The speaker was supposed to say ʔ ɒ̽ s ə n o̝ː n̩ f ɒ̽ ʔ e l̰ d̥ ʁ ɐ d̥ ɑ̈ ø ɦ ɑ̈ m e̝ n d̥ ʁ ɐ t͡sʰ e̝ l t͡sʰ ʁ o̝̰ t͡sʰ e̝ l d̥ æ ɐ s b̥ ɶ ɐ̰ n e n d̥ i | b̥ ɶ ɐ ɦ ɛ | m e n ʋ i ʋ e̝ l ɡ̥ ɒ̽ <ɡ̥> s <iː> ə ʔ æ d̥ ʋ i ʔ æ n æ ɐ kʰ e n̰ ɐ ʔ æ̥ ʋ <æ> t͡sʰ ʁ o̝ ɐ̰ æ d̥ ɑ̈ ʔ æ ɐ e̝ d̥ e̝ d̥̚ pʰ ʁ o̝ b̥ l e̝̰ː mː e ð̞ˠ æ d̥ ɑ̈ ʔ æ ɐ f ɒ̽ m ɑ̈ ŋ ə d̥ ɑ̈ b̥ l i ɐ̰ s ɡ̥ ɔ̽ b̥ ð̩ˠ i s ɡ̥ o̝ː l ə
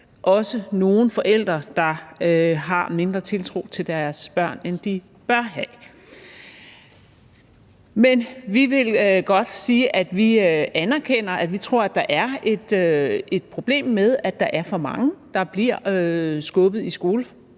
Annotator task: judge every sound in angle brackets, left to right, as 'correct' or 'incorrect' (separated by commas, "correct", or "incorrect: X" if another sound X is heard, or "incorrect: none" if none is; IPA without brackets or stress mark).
incorrect: d̥, correct, incorrect: i